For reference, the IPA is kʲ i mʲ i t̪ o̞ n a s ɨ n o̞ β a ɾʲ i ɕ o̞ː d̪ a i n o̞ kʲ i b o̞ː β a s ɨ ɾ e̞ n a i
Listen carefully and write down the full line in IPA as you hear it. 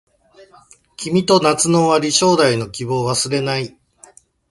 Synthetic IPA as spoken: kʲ i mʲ i t̪ o̞ n a t͡s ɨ n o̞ β a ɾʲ i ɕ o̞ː d̪ a i n o̞ kʲ i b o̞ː β a s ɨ ɾ e̞ n a i